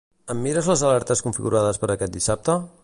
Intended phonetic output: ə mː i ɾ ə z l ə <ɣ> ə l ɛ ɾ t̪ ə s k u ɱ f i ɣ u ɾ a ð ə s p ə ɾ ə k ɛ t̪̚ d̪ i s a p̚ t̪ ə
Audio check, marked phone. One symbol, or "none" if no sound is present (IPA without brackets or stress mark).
z